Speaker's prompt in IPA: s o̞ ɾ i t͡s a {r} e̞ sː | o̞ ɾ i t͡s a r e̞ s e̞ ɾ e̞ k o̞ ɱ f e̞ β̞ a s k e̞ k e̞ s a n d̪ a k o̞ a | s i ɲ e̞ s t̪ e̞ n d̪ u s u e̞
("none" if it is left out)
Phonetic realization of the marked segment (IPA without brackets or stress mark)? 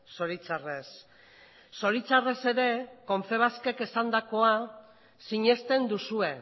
r